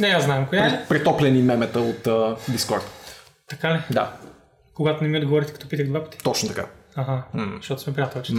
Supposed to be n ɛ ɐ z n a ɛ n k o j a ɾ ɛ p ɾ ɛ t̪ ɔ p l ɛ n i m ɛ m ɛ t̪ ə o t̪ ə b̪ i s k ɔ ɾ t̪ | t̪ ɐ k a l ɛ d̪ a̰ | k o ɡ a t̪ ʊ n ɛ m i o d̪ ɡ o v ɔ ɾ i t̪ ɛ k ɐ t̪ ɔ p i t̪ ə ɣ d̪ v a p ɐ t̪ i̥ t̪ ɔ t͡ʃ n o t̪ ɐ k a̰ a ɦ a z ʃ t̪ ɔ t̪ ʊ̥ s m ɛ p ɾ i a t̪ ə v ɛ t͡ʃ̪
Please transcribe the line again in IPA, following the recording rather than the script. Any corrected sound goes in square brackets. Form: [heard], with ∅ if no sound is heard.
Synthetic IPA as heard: n ɛ [a] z n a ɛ [m] k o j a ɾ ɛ p ɾ ɛ t̪ ɔ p l ɛ n i m ɛ m ɛ t̪ ə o t̪ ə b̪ i s k ɔ ɾ t̪ | t̪ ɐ k a l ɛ d̪ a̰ | k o ɡ a t̪ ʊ n ɛ m i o d̪ ɡ o v ɔ ɾ i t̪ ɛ k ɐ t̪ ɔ p i t̪ ə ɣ d̪ v a p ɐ t̪ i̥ t̪ ɔ t͡ʃ n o t̪ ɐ k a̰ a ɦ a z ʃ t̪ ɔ t̪ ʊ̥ s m ɛ p ɾ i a t̪ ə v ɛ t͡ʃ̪